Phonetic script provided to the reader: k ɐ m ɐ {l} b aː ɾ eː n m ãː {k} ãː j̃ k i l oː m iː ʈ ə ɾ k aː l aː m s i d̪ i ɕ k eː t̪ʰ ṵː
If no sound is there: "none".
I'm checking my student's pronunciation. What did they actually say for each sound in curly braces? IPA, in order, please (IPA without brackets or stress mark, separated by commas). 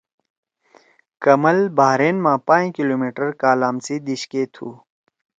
l, p